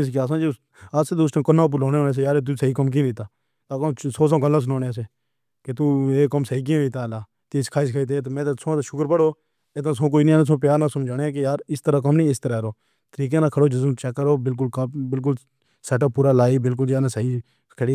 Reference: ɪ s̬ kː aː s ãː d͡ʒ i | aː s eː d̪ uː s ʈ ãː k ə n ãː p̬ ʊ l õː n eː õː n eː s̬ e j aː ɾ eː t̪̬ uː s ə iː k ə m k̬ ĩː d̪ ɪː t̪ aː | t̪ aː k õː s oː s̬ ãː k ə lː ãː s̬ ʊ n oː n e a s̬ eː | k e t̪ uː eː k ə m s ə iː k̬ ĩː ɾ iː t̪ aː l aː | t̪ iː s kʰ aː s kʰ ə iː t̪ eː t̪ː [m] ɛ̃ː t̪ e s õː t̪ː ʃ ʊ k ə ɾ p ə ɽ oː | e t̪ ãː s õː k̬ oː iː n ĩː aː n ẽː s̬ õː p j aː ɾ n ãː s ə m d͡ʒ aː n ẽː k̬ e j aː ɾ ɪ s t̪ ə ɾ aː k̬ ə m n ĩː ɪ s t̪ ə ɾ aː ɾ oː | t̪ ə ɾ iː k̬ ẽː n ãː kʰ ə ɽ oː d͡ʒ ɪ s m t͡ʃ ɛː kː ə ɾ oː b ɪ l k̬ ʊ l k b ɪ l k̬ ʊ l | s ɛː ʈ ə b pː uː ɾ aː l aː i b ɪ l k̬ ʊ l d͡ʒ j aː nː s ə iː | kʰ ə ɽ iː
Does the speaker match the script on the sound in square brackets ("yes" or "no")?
yes